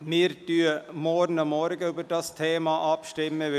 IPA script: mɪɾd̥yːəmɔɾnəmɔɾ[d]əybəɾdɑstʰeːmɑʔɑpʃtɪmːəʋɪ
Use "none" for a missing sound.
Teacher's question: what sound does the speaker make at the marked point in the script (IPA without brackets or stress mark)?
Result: ɡ